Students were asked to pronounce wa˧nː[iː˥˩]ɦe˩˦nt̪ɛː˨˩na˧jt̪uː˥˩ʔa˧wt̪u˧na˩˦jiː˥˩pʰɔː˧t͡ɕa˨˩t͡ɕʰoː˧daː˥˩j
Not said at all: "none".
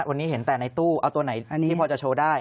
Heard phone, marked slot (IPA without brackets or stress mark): iː˦˥